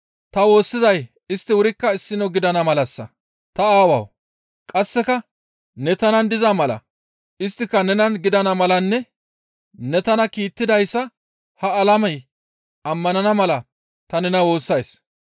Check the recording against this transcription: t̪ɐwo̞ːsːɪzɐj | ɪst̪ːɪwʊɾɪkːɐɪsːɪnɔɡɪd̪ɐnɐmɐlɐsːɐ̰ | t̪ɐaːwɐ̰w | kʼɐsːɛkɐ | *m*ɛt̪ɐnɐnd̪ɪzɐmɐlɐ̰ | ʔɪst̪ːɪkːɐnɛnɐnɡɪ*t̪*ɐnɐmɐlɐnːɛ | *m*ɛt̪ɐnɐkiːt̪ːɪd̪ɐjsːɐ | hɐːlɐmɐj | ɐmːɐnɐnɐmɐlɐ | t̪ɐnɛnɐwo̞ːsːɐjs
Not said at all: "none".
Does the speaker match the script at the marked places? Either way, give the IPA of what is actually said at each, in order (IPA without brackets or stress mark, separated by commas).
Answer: n, d̪, n